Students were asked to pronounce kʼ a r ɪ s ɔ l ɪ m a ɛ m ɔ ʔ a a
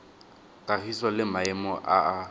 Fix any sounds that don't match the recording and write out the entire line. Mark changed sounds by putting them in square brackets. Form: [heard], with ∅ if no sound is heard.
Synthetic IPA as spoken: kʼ a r [i] s ɔ l ɪ m a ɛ m ɔ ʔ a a